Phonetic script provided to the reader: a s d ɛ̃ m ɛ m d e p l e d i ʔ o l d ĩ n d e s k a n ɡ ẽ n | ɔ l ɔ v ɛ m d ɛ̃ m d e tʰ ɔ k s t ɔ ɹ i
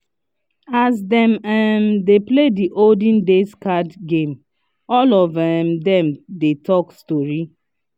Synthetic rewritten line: a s d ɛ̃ m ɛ m d e p l e d i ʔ o l d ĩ n d e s k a d ɡ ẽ m | ɔ l ɔ v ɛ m d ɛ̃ m d e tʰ ɔ k s t ɔ ɹ i